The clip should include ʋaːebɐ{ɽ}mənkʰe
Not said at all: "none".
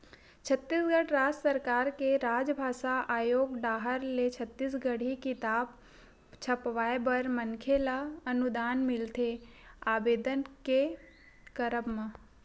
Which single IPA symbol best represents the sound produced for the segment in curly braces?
ɾ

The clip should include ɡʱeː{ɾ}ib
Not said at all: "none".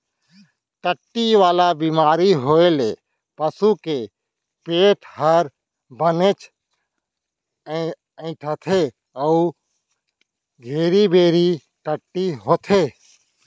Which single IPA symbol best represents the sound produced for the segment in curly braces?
ɾ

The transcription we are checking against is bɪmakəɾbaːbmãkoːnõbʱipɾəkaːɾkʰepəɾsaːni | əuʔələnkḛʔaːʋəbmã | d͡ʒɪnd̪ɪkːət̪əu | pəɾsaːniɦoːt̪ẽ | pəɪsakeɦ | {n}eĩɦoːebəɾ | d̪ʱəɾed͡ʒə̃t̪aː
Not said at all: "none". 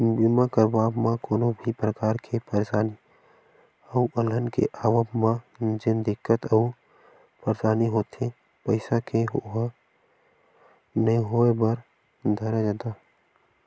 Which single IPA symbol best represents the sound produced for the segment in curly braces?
n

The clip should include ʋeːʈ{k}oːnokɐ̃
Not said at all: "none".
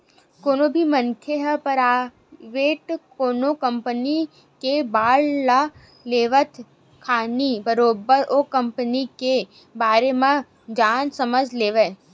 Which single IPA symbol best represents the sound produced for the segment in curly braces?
k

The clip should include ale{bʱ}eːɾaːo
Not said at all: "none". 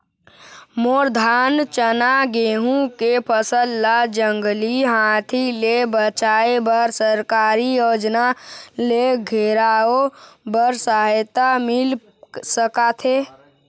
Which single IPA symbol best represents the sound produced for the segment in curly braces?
ɡʱ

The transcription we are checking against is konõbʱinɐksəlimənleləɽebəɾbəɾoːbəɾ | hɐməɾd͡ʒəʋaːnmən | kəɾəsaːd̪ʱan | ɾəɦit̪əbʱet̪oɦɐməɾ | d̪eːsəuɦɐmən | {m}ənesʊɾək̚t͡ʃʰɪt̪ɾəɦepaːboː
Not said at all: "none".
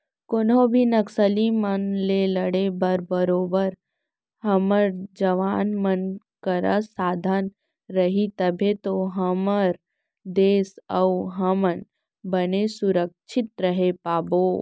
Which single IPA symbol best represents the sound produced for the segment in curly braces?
b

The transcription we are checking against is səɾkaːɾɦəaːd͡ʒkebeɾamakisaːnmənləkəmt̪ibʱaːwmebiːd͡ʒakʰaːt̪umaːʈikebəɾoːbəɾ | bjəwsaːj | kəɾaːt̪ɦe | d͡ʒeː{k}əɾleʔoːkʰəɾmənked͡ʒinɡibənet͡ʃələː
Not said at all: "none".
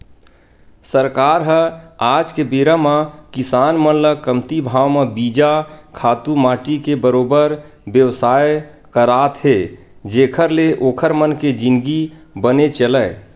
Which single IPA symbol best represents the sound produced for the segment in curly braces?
kʰ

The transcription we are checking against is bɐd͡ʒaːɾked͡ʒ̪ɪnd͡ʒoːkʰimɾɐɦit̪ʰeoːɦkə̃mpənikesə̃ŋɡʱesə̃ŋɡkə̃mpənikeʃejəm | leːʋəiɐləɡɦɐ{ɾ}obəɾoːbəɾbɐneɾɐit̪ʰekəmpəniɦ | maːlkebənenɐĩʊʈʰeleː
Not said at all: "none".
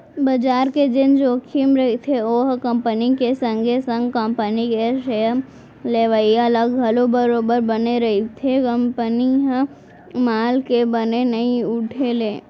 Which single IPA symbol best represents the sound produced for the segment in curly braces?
l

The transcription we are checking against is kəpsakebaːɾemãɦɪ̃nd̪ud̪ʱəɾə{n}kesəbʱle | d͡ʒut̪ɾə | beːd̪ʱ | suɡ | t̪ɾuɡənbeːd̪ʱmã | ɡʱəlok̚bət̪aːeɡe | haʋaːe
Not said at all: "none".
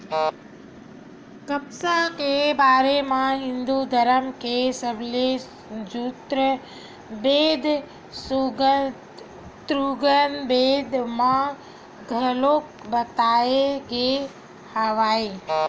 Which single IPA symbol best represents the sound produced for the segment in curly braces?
m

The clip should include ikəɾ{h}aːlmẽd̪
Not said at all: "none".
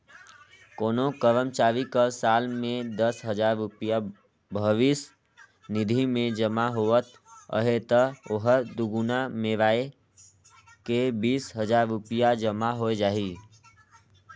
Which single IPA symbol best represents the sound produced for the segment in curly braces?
s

